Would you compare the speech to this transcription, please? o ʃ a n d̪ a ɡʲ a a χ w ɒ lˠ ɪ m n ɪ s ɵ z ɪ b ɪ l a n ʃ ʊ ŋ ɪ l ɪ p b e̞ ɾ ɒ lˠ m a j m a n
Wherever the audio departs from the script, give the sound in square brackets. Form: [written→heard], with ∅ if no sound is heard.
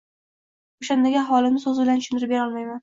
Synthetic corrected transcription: o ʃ a n d̪ a ɡʲ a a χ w ɒ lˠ ɪ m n ɪ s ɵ z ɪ b ɪ l a n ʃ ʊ [ŋ→n] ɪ [l→ɾ] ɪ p b e̞ ɾ ɒ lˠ m a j m a n